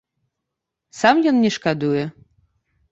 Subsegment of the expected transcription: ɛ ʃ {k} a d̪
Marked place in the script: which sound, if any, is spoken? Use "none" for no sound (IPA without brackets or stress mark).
k